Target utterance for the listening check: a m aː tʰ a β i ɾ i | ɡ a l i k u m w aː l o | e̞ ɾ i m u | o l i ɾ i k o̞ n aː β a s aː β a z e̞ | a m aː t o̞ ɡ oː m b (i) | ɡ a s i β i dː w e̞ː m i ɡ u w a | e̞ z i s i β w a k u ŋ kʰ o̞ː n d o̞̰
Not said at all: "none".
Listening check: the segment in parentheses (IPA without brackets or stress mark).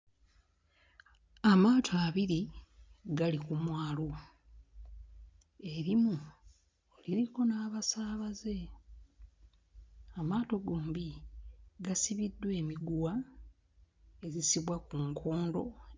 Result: i